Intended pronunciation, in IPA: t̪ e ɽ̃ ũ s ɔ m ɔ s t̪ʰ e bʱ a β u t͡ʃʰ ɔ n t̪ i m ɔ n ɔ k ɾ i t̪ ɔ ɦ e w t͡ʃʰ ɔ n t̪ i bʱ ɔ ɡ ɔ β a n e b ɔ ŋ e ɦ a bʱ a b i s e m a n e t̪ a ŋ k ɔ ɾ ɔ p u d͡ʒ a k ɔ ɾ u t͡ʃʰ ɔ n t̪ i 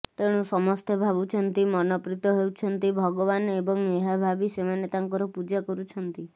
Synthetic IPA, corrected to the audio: t̪ e ɽ̃ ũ s ɔ m ɔ s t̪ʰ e bʱ a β u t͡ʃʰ ɔ n t̪ i m ɔ n ɔ p ɾ i t̪ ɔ ɦ e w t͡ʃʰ ɔ n t̪ i bʱ ɔ ɡ ɔ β a n e b ɔ ŋ e ɦ a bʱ a b i s e m a n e t̪ a ŋ k ɔ ɾ ɔ p u d͡ʒ a k ɔ ɾ u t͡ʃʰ ɔ n t̪ i